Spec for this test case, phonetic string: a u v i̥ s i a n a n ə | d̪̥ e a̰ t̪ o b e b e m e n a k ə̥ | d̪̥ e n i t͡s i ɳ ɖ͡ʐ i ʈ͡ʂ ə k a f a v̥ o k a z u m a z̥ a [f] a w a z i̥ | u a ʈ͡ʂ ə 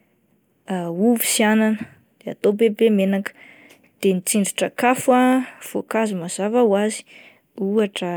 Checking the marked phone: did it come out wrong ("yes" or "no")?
yes